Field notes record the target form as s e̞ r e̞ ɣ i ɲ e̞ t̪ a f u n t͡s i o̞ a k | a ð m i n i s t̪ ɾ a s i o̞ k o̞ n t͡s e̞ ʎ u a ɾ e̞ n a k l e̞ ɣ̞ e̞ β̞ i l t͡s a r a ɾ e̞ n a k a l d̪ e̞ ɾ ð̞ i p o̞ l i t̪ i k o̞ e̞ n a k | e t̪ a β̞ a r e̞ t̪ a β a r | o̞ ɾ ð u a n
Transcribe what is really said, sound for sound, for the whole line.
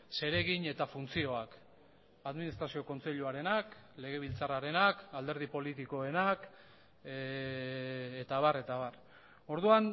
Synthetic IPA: s e̞ ɾ e̞ ɣ i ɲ e̞ t̪ a f u n t͡s i o̞ a k | a ð m i n i s t̪ ɾ a s i o̞ k o̞ n t͡s e̞ ʎ u a ɾ e̞ n a k l e̞ ɣ̞ e̞ β̞ i l t͡s a r a ɾ e̞ n a k a l d̪ e̞ ɾ ð̞ i p o̞ l i t̪ i k o̞ e̞ n a k | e t̪ a β̞ a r e̞ t̪ a β a r | o̞ ɾ ð u a n